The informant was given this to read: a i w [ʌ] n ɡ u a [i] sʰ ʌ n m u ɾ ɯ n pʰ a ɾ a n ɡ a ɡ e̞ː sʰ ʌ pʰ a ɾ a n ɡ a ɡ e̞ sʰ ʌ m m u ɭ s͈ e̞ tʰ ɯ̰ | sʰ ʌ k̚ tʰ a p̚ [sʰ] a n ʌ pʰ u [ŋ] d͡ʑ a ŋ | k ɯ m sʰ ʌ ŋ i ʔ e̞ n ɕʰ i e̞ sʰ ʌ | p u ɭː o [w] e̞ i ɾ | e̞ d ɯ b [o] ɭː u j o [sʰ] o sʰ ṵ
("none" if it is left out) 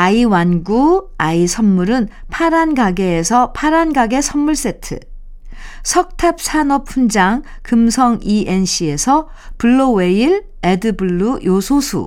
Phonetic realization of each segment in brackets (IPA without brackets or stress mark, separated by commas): a, i, sʰ, n, w, u, sʰ